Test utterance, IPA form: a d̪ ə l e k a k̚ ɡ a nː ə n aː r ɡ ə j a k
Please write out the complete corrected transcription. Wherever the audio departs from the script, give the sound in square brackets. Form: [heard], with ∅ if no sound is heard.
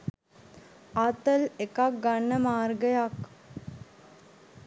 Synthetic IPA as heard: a [t̪] ə l e k a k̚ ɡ a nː ə [m] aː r ɡ ə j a k